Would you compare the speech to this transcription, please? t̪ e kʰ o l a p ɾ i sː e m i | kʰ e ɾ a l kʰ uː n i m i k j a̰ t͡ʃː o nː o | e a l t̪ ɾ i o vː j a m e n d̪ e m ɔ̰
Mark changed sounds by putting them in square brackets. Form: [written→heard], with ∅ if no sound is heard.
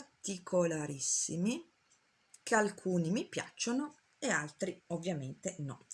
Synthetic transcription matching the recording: t̪ [e→i] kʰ o l a [p→∅] ɾ i sː [e→i] m i | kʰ e [ɾ→∅] a l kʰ uː n i m i [k→p] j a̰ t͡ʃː o [nː→n] o | e a l t̪ ɾ i o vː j a m e n [d̪→t̪] e [m→n] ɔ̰